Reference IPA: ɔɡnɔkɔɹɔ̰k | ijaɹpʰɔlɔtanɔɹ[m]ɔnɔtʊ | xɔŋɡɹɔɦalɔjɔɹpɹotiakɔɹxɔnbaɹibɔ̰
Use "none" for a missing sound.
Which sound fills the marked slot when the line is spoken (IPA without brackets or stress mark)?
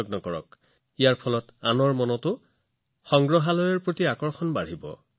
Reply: m